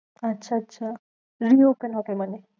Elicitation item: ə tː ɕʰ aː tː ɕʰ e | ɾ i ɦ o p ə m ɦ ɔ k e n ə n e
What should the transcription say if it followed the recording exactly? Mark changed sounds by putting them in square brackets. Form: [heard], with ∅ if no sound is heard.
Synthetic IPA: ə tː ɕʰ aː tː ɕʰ [a] | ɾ i [∅] o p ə [n] ɦ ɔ k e [m] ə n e

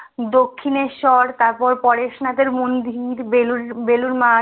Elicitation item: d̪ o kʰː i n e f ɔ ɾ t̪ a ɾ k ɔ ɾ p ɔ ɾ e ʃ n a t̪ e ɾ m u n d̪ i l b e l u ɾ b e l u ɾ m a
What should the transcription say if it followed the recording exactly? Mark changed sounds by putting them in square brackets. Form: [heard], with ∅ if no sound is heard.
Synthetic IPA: d̪ o kʰː i n e [ʃ] ɔ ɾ t̪ a ɾ [p] ɔ ɾ p ɔ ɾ e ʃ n a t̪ e ɾ m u n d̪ i [ɾ] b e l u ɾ b e l u ɾ m a

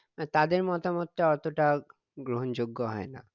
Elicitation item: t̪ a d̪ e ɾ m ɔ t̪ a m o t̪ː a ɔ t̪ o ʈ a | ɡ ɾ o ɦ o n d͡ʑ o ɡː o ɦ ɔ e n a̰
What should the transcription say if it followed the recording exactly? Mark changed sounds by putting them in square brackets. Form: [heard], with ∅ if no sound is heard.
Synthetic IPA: t̪ a d̪ e ɾ m ɔ t̪ a m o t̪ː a ɔ t̪ o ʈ a | ɡ ɾ o ɦ o n d͡ʑ o ɡː o ɦ ɔ e n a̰

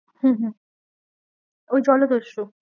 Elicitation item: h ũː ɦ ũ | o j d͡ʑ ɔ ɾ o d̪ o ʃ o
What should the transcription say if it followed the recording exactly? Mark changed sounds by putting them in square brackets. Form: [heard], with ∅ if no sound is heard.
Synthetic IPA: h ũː ɦ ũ | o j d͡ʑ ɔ [l] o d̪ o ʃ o

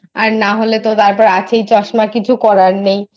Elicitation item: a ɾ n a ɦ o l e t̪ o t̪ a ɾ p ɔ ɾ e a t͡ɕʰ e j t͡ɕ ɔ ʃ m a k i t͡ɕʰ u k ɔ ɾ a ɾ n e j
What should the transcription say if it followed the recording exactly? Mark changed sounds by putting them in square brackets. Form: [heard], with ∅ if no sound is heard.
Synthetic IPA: a ɾ n a ɦ o l e t̪ o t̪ a ɾ p ɔ ɾ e a t͡ɕʰ e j t͡ɕ ɔ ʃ m a k i t͡ɕʰ u k ɔ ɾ a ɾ n e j

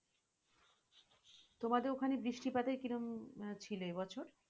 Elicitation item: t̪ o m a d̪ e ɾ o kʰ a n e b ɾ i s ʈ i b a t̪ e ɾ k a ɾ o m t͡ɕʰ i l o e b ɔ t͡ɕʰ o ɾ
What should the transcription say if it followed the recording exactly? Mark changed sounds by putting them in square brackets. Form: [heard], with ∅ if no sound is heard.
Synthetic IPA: t̪ o m a d̪ e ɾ o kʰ a n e b ɾ i [ʃ] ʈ i [p] a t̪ e ɾ k [i] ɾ o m t͡ɕʰ i l o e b ɔ t͡ɕʰ o ɾ

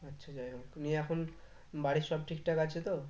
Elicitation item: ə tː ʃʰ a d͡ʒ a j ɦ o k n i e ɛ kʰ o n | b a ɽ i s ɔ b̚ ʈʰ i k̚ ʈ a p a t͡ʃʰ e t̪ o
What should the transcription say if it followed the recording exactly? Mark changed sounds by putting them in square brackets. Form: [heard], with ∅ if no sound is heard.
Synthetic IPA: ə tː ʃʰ a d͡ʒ a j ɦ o k n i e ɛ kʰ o n | b a ɽ i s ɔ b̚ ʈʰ i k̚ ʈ a [k] a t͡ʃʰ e t̪ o

